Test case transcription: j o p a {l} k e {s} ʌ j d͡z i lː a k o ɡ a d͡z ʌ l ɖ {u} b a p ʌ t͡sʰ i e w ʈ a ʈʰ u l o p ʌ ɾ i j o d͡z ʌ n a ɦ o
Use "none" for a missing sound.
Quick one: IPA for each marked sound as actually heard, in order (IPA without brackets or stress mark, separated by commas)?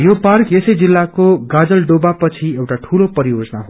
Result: r, s, o